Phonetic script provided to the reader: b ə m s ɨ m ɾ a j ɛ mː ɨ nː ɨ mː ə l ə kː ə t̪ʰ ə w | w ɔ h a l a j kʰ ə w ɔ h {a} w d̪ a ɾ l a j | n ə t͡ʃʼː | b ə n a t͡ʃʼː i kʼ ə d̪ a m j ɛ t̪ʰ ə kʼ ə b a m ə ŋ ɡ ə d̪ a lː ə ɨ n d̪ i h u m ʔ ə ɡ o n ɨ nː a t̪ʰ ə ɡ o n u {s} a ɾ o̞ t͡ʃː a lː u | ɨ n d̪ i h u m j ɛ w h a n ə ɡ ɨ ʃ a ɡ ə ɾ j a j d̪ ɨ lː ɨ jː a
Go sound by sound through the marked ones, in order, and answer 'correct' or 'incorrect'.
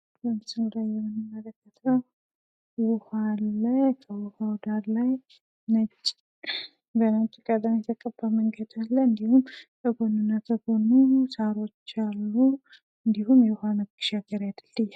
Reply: correct, correct

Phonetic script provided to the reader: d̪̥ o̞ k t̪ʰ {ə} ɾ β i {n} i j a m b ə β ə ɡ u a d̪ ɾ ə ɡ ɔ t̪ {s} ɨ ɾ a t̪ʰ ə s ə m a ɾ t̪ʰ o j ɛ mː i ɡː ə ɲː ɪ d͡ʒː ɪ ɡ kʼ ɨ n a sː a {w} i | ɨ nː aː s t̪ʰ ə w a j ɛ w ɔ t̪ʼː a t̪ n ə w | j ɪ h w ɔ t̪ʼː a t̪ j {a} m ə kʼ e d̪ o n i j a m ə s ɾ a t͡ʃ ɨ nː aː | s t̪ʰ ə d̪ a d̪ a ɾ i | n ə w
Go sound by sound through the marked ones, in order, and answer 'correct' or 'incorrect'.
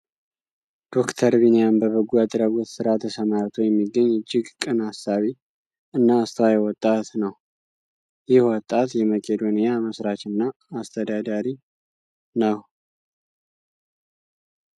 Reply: correct, correct, correct, incorrect: β, incorrect: ɛ

